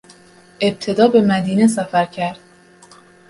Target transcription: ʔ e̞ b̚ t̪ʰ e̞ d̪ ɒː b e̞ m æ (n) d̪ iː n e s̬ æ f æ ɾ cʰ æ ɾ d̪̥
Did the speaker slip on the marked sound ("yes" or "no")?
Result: yes